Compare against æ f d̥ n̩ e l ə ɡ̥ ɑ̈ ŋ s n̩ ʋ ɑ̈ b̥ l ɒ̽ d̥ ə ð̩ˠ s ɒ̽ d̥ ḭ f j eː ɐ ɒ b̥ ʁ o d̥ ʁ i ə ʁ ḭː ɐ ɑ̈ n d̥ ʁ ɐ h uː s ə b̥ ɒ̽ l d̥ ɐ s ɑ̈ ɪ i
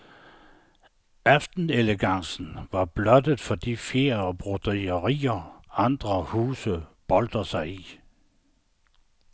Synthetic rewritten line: æ f d̥ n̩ e l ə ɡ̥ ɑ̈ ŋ s n̩ ʋ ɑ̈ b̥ l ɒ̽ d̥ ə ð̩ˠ f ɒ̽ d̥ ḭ f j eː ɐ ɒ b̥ ʁ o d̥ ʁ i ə ʁ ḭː ɐ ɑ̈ n d̥ ʁ ɐ h uː s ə b̥ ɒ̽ l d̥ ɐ s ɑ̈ ɪ i